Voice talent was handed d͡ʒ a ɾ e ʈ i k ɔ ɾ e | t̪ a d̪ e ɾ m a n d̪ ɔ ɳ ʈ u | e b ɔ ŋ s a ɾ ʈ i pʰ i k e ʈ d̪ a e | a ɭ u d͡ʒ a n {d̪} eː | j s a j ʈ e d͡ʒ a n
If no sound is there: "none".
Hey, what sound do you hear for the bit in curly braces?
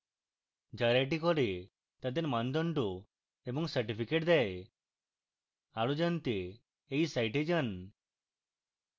t̪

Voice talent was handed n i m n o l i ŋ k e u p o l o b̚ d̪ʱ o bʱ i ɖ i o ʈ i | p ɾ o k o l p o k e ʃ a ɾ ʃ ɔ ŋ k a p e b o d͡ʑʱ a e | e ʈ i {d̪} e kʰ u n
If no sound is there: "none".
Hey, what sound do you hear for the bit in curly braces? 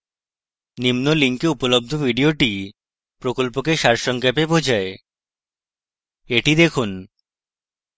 d̪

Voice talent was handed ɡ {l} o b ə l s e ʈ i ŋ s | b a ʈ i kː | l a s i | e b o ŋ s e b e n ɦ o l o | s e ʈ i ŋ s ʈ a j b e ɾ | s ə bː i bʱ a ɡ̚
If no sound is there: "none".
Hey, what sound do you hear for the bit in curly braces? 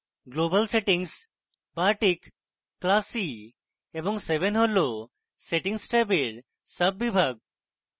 l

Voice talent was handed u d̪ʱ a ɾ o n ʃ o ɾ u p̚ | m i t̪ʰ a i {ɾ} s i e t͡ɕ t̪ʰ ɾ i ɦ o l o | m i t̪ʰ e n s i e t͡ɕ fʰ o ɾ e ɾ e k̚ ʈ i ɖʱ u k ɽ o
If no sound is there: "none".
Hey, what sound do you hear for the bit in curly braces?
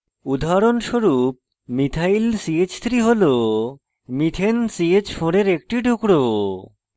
l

